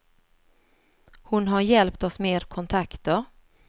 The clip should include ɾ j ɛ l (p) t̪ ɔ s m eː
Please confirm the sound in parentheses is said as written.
yes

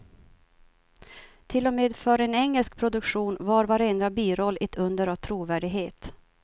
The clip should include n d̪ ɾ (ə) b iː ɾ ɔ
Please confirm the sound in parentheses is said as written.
no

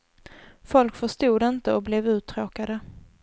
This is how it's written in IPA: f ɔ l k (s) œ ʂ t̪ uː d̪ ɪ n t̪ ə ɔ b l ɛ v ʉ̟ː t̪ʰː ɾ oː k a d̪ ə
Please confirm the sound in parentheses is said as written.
no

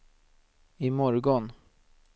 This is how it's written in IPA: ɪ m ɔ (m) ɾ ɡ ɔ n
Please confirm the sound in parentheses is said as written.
no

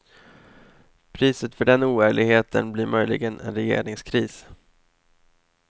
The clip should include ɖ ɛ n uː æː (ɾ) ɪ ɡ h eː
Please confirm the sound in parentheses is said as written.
no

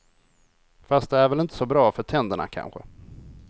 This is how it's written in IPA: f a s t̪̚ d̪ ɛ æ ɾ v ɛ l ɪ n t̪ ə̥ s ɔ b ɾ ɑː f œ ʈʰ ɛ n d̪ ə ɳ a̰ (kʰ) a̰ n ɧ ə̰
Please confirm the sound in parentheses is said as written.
yes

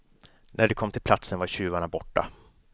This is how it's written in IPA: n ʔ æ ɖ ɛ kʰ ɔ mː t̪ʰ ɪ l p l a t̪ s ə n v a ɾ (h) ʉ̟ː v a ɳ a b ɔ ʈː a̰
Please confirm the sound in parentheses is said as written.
no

